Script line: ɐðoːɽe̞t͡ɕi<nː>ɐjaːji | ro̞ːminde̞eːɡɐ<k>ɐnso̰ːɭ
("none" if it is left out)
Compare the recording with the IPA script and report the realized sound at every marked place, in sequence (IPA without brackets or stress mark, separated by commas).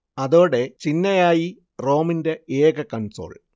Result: nː, k